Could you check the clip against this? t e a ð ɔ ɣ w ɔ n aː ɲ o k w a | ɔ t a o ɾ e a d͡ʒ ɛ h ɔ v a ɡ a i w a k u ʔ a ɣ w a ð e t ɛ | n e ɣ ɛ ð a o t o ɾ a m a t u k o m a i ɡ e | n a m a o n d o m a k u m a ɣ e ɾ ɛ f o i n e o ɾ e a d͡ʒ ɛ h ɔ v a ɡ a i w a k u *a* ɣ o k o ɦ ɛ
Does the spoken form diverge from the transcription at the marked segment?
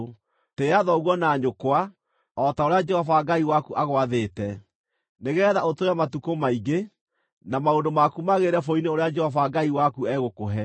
yes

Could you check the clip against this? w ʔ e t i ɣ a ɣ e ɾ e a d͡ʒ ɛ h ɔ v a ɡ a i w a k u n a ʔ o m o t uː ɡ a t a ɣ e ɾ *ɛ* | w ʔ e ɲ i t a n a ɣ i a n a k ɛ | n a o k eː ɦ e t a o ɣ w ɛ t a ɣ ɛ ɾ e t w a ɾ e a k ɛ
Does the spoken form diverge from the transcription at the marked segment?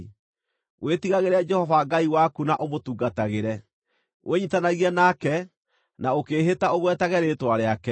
no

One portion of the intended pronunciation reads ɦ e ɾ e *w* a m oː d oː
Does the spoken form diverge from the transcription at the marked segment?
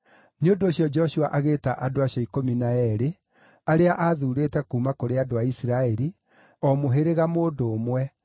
yes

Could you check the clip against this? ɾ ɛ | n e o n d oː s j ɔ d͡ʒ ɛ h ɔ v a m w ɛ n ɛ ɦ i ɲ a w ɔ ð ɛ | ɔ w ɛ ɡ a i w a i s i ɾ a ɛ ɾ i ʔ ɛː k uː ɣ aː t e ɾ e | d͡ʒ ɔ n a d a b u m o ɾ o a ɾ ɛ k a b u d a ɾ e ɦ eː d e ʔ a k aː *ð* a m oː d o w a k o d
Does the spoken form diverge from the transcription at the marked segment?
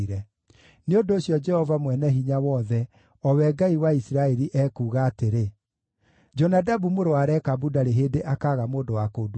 yes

